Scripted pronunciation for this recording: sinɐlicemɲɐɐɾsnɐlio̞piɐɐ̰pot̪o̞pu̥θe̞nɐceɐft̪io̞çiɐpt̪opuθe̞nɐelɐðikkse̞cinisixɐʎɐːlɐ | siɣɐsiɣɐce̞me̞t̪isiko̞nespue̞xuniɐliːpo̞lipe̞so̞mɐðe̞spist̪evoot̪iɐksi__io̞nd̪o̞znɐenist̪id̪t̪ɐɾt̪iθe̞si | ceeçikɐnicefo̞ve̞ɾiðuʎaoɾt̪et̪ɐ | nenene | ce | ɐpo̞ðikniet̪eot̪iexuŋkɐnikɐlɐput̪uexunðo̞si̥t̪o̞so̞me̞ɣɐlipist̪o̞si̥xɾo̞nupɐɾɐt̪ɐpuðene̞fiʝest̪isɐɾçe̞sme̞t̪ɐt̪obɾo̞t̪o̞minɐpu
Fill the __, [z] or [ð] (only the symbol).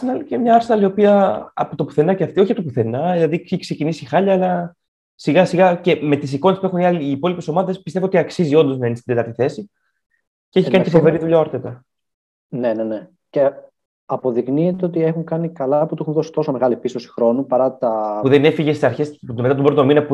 z